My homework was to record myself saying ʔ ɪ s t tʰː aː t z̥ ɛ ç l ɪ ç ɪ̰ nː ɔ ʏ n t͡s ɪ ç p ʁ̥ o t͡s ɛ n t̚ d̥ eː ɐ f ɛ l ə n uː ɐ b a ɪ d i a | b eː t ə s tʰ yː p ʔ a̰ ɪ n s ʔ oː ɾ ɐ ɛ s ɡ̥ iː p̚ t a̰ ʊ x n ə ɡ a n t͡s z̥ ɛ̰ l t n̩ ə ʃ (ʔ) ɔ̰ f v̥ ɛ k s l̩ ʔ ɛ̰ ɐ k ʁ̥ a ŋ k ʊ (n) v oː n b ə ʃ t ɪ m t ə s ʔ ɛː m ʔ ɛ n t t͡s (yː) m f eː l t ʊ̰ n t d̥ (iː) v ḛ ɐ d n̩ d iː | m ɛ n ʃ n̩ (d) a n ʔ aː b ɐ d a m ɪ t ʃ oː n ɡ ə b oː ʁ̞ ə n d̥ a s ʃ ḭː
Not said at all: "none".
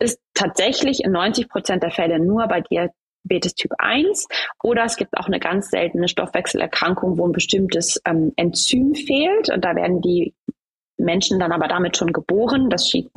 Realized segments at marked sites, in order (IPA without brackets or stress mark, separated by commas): t, ŋ, yː, aː, d